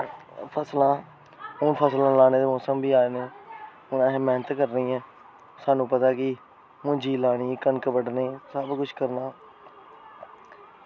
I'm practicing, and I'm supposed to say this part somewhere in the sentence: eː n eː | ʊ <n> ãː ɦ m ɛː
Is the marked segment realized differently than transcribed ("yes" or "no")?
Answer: no